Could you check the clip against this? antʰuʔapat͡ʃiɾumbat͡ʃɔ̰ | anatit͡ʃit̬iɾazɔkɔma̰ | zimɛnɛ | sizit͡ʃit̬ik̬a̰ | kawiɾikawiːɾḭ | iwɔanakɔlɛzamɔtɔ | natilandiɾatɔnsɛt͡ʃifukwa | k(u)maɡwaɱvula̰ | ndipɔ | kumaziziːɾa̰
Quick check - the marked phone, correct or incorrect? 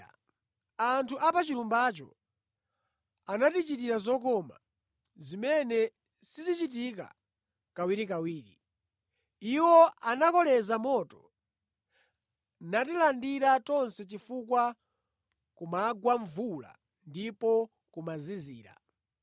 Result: correct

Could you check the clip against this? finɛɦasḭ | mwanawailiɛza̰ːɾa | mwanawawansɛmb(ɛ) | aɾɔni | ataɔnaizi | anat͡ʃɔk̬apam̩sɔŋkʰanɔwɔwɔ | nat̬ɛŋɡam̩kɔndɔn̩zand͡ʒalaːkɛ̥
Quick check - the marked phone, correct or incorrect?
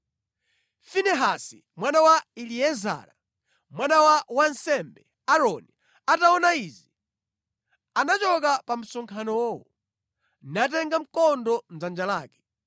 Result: correct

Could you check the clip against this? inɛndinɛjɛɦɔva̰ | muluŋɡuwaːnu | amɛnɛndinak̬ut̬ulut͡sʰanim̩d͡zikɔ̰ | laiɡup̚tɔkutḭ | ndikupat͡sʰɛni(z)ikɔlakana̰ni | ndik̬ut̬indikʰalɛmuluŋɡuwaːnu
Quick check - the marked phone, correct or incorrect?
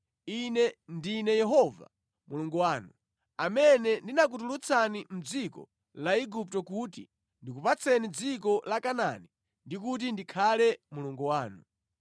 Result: incorrect: d͡z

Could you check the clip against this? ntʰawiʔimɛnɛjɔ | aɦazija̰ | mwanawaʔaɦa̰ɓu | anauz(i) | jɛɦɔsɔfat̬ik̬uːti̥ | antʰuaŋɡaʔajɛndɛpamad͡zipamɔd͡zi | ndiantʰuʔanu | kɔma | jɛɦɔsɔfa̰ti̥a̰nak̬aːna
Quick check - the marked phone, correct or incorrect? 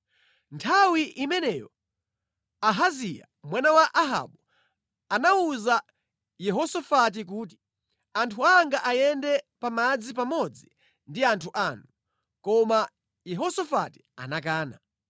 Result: incorrect: a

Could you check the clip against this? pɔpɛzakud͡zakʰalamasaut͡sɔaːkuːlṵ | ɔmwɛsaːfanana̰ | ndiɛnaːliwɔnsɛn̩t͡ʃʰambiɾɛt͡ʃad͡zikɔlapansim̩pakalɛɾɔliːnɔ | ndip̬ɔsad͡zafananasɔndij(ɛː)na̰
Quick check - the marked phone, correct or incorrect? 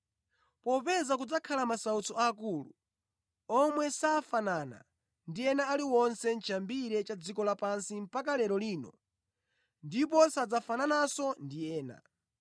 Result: correct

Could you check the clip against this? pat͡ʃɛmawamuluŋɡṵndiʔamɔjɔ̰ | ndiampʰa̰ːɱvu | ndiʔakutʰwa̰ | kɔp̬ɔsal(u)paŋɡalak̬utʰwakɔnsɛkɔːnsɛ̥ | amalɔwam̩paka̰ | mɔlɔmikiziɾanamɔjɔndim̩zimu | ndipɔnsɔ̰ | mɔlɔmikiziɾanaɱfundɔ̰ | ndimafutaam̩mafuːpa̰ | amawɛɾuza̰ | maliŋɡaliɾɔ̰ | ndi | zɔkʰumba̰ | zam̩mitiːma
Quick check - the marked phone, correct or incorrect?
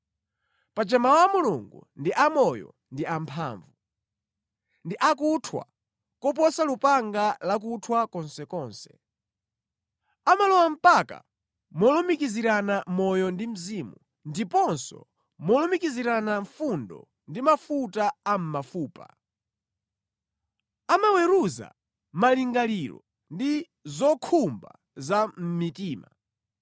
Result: correct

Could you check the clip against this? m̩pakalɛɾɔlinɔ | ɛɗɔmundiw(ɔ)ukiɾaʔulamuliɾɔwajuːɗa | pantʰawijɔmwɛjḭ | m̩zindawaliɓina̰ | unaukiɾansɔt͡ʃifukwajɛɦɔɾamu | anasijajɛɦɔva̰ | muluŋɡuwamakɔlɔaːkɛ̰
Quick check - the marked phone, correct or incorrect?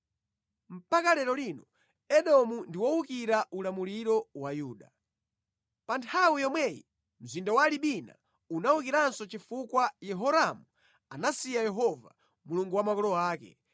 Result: correct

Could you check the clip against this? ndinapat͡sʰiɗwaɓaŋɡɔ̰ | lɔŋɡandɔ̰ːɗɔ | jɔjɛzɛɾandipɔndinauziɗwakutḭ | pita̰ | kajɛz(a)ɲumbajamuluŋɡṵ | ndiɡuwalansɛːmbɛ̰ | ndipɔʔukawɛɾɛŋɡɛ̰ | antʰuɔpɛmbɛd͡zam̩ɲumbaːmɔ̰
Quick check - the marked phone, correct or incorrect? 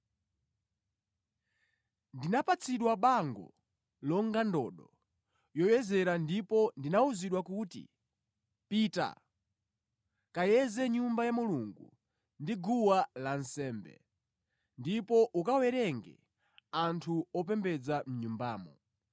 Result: incorrect: ɛ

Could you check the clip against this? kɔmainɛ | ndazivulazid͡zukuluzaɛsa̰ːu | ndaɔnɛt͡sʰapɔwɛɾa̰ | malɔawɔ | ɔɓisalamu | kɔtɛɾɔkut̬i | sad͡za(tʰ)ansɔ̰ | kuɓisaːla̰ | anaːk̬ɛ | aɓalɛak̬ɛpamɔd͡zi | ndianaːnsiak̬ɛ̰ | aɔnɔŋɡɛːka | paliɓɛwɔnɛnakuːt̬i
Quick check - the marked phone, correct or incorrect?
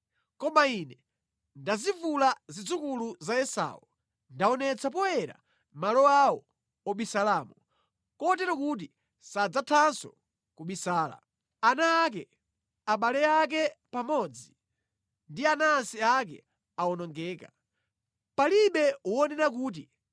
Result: correct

